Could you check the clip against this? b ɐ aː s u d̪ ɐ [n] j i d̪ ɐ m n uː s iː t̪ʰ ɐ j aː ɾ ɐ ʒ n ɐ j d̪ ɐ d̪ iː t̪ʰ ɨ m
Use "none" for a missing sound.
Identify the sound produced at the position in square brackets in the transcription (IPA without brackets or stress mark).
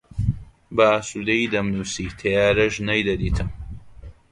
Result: none